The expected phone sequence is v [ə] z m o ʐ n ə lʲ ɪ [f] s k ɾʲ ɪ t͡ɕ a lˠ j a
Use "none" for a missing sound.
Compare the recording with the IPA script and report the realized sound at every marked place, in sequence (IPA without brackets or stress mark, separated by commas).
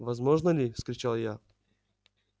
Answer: ɐ, f